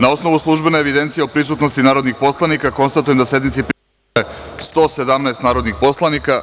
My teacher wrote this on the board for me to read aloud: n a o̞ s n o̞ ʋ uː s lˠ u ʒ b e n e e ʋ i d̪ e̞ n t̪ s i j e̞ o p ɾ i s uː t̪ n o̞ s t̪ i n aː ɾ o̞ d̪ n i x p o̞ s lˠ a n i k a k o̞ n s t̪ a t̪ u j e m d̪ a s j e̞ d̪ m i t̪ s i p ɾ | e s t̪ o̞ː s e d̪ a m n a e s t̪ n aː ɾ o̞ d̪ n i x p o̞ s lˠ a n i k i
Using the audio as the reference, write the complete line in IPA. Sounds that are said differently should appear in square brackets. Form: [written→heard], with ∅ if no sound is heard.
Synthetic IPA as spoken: n a o̞ s n o̞ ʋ [uː→u] s lˠ u ʒ b e n e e ʋ i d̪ e̞ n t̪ s i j e̞ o p ɾ i s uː t̪ n o̞ s t̪ i n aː ɾ o̞ d̪ n i x p o̞ s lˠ a n i k a k o̞ n s t̪ a t̪ u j e m d̪ a s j e̞ d̪ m i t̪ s i p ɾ | e s t̪ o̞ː s e d̪ a m n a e s t̪ n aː ɾ o̞ d̪ n i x p o̞ s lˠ a n i k [i→a]